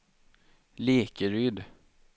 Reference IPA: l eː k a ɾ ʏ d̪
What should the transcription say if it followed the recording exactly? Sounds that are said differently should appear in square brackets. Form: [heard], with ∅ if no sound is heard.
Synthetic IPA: l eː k [ə] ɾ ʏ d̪